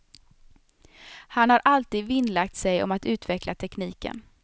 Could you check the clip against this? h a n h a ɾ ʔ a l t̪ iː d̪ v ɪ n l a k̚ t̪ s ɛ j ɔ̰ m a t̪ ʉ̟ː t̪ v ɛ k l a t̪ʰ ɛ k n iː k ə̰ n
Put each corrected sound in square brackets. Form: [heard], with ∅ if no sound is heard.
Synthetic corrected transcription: h a n h a ɾ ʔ a l t̪ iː d̪ v ɪ n l a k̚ t̪ s ɛ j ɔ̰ m a t̪ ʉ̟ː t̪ v ɛ k l a t̪ʰ ɛ k n iː k ə̰ n